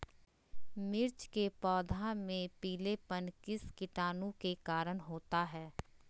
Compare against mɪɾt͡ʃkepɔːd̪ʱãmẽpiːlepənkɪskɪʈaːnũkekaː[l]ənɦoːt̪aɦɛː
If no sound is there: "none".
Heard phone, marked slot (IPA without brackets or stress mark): ɾ